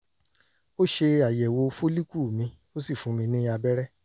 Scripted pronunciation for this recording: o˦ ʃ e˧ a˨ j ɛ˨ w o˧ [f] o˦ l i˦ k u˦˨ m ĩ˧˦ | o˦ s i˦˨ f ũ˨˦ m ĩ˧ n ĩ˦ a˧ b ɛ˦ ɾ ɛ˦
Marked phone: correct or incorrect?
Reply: correct